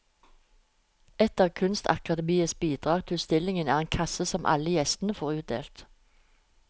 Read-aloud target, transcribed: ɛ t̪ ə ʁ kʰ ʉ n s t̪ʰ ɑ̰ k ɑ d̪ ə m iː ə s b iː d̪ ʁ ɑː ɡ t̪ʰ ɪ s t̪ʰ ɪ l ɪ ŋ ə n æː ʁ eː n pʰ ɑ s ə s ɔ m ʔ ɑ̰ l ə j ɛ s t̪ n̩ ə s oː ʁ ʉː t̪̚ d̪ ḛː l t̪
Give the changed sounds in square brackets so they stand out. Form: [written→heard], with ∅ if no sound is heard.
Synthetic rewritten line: ɛ t̪ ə ʁ kʰ ʉ n s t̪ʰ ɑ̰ k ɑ d̪ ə m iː ə s b iː d̪ ʁ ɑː ɡ t̪ʰ ɪ s [t̪ʰ→t̪] ɪ l ɪ ŋ ə n æː ʁ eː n [pʰ→kʰ] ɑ s ə s ɔ m ʔ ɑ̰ l ə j ɛ s t̪ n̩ ə [s→f] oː ʁ ʉː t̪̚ d̪ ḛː l t̪